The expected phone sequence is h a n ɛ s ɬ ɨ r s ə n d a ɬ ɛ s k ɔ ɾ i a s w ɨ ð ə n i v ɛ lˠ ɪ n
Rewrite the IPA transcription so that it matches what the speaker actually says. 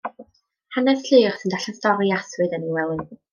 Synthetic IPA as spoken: h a n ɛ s ɬ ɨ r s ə n d a ɬ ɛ s t ɔ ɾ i a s w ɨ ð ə n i w ɛ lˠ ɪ n